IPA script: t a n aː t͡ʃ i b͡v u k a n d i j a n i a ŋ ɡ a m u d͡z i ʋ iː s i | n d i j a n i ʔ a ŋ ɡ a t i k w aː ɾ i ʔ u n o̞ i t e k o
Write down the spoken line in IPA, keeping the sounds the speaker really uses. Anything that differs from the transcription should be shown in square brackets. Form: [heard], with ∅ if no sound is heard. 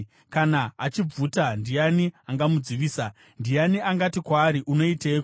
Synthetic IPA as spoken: [k] a n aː t͡ʃ i b͡v u [t] a n d i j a n i a ŋ ɡ a m u d͡z i ʋ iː s [a] | n d i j a n i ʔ a ŋ ɡ a t i k w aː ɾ i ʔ u n o̞ i t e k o